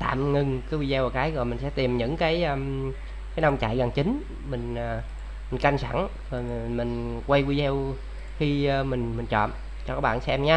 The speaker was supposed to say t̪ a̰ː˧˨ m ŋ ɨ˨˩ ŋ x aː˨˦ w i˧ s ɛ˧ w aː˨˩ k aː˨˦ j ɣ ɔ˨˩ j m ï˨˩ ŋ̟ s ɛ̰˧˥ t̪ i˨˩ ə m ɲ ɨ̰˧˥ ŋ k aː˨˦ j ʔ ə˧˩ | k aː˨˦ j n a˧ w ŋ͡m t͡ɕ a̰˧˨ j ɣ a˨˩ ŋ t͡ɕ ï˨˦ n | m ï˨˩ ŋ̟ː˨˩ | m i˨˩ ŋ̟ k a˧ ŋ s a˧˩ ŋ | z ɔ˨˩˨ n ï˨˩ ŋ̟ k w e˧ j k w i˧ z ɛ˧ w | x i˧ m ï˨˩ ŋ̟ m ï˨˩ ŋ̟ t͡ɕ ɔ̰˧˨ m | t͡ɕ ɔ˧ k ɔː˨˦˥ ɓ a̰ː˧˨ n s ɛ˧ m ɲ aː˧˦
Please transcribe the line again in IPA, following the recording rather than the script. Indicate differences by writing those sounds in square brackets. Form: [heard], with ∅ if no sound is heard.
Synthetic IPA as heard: t̪ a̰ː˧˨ m ŋ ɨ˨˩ ŋ [k] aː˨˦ w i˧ [z] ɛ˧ w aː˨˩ k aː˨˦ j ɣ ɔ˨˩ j m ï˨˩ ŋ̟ s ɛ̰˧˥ t̪ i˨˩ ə m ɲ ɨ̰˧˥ ŋ k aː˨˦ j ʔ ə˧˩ | k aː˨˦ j n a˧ w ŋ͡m t͡ɕ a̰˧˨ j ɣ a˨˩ ŋ t͡ɕ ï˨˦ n | m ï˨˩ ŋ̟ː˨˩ | m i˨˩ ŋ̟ k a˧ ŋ s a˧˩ ŋ | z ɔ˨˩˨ [m] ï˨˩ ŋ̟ k w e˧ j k w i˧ z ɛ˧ w | x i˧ m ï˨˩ ŋ̟ m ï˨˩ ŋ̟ t͡ɕ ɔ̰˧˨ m | t͡ɕ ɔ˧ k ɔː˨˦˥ ɓ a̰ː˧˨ n s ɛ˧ m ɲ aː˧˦

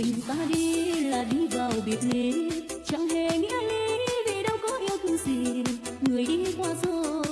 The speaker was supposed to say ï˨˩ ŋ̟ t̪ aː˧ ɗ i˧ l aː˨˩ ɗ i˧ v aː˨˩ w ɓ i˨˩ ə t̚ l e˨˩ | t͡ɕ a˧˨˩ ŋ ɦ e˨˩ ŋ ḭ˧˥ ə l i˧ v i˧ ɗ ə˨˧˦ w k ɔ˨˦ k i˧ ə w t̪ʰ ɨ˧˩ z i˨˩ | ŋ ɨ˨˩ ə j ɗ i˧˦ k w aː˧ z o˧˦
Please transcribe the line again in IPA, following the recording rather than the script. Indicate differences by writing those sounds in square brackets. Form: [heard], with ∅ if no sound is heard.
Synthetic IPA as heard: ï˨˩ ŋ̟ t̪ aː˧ ɗ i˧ l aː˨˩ ɗ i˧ v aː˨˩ w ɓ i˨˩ ə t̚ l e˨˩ | t͡ɕ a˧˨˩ ŋ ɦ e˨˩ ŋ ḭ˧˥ ə l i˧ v [i˨˩] ɗ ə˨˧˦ w k ɔ˨˦ [ʔ] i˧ ə w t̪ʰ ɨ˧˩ z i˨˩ | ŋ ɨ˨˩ ə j ɗ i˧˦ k w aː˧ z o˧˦

